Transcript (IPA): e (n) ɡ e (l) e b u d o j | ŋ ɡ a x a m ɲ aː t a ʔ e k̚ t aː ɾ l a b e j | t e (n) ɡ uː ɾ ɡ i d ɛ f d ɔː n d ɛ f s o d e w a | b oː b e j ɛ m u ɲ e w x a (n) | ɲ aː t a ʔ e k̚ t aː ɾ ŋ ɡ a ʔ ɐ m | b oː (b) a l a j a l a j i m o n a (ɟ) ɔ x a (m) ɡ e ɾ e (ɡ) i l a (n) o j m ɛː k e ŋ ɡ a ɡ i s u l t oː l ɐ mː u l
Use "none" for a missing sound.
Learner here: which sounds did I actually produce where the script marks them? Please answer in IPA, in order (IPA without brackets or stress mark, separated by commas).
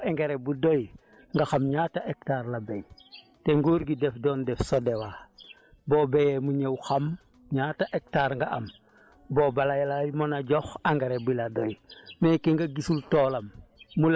ŋ, ɾ, ŋ, m, b, ɟ, ŋ, b, d